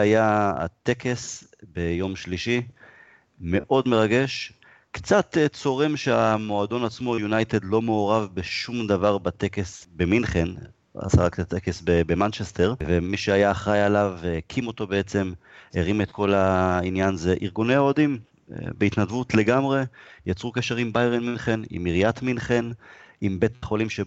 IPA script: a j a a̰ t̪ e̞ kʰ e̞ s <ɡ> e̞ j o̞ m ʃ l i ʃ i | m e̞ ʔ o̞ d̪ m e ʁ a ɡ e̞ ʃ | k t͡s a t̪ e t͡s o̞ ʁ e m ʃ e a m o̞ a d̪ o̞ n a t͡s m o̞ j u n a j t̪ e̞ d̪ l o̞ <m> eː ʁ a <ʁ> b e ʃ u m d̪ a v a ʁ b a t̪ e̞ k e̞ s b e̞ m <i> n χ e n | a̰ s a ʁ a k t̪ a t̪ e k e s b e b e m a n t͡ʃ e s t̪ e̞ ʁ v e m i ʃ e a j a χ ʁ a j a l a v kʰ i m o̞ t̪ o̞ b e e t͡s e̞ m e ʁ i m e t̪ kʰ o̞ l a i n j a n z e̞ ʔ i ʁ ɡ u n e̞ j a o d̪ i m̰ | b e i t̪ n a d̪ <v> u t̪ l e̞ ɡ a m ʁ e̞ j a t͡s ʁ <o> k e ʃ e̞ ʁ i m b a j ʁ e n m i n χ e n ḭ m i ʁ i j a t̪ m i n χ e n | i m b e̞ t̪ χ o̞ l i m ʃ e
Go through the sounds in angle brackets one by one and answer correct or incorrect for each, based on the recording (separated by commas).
incorrect, correct, incorrect, correct, correct, incorrect